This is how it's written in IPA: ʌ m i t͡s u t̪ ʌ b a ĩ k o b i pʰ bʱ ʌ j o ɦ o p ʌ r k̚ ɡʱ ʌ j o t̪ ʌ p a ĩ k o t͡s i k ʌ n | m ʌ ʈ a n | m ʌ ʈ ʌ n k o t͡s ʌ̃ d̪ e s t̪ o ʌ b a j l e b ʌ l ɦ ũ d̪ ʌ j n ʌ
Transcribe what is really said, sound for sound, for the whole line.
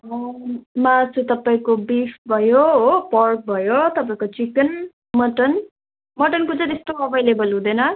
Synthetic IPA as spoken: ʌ m a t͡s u t̪ ʌ p a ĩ k o b i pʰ bʱ ʌ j o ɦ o p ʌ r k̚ bʱ ʌ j o t̪ ʌ p a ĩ k o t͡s i k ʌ n | m ʌ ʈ ʌ n | m ʌ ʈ ʌ n k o t͡s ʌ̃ t̪ e s t̪ o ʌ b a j l e b ʌ l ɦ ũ d̪ ʌ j n ʌ